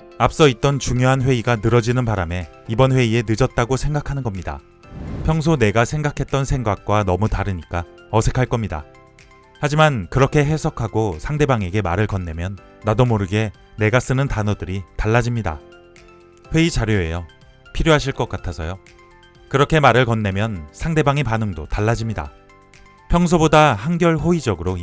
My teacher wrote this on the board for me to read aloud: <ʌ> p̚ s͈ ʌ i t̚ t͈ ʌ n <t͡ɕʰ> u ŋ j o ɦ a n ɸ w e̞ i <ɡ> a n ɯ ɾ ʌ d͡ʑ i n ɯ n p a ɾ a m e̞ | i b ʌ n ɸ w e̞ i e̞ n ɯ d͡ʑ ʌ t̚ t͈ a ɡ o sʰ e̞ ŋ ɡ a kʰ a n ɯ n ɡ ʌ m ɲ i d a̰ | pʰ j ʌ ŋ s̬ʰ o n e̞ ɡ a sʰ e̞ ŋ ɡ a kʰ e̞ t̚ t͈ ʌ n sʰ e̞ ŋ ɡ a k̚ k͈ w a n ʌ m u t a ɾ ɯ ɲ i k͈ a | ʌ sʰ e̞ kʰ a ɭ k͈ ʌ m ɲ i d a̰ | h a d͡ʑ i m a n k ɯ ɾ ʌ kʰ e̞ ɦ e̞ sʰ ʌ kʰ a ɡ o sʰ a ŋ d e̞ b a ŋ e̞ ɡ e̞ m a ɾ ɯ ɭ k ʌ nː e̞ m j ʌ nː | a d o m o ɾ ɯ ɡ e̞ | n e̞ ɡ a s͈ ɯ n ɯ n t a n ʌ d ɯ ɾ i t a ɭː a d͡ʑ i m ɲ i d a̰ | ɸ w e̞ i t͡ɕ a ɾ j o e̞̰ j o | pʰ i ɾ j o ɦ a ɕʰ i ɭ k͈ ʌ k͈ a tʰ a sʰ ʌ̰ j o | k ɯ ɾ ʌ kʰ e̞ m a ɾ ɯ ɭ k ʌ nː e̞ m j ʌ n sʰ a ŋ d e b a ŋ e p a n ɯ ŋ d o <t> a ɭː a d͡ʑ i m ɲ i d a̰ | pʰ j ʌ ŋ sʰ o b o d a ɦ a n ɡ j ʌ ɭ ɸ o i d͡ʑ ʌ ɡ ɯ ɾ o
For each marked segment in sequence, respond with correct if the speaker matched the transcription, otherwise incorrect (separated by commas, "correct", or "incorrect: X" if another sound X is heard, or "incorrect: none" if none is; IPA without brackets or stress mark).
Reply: incorrect: a, incorrect: t͡ɕ, correct, correct